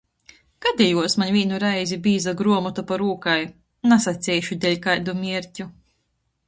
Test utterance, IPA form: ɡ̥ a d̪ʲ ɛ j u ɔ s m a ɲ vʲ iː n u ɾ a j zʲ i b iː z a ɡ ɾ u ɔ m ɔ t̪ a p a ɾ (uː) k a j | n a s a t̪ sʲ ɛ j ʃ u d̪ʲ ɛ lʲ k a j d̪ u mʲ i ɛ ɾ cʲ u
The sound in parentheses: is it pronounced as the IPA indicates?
yes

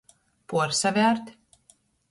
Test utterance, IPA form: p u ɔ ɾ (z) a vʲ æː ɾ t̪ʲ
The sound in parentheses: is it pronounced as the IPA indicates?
no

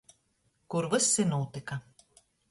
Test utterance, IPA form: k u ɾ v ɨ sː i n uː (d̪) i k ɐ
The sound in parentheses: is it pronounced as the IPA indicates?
no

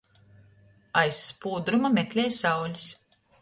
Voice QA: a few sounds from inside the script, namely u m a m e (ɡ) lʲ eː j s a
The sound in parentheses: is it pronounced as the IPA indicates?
no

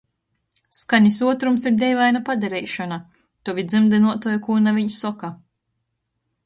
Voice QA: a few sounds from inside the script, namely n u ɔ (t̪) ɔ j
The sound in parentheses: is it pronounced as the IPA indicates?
yes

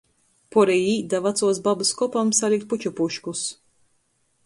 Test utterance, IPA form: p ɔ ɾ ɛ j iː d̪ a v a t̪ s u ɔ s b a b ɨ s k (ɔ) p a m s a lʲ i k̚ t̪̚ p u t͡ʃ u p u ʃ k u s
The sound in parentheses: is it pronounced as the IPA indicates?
yes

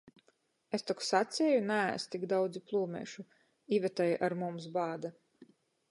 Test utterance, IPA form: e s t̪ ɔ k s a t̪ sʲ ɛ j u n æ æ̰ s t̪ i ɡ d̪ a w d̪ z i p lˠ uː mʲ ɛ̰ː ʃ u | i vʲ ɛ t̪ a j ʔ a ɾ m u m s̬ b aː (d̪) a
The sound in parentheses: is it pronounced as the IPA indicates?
yes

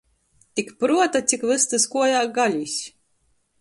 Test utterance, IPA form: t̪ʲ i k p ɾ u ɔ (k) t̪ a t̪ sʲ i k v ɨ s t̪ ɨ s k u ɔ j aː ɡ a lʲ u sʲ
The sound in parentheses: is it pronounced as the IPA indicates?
no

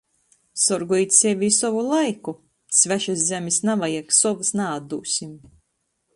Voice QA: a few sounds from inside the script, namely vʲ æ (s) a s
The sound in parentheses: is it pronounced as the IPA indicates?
no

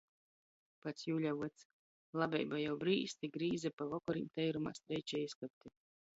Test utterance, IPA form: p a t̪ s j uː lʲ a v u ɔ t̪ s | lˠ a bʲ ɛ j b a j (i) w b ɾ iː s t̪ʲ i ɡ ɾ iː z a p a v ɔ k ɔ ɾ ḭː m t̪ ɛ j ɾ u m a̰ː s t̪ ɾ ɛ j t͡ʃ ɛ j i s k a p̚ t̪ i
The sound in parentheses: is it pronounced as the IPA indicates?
no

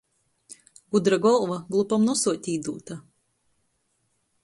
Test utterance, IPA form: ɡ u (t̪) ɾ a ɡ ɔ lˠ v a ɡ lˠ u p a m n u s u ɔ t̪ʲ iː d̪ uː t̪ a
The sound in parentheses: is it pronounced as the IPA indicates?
no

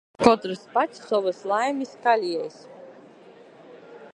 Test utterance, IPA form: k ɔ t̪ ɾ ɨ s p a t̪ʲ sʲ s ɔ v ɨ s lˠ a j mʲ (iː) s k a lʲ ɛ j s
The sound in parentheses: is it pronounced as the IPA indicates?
no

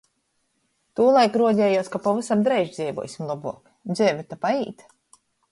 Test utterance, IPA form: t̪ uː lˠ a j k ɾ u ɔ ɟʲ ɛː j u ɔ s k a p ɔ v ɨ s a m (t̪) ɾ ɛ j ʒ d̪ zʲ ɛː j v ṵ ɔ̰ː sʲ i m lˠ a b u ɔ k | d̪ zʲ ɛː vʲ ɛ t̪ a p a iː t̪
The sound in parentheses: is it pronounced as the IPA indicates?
no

